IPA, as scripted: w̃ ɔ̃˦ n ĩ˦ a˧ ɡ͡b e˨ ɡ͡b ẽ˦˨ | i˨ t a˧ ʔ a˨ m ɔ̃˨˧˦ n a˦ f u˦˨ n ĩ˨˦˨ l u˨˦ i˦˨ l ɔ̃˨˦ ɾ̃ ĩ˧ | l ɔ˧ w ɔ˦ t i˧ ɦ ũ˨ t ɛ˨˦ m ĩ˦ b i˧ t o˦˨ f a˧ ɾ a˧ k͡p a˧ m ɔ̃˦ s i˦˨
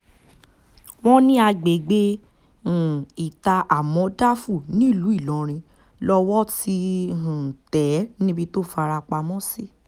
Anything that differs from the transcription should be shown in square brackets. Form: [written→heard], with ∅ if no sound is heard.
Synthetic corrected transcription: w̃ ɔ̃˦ n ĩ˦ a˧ ɡ͡b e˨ ɡ͡b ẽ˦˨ | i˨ t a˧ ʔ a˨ m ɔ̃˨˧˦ [n→d] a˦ f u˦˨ n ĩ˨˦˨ l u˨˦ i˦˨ l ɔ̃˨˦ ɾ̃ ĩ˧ | l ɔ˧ w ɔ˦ t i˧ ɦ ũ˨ t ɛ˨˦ [m→n] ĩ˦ b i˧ t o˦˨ f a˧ ɾ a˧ k͡p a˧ m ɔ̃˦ s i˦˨